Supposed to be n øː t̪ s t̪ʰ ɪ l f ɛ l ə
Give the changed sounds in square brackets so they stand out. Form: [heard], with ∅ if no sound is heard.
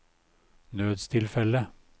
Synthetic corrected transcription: n øː [d̪] s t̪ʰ ɪ l f ɛ l ə